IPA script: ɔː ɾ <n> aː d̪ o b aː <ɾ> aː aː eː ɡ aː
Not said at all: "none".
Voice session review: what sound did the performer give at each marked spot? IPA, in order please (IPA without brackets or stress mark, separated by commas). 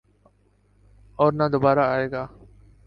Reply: n, ɾ